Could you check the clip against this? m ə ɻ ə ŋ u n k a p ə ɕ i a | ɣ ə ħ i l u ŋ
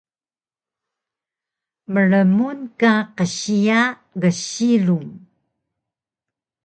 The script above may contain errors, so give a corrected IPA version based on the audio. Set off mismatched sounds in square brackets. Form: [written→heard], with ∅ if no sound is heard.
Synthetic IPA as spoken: m ə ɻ ə [ŋ→m] u n k a [p→q] ə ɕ i a | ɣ ə [ħ→ɕ] i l u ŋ